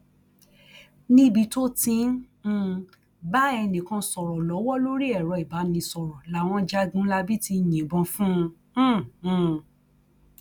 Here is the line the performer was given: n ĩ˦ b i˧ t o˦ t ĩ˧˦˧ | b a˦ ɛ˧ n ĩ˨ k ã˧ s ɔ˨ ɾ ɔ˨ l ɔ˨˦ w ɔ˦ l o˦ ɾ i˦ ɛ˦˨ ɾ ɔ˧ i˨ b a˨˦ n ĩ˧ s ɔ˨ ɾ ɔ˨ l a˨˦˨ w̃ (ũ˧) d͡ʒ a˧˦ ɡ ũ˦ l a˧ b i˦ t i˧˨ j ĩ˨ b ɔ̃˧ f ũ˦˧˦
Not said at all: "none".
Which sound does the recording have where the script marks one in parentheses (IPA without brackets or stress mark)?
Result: ɔ̃˧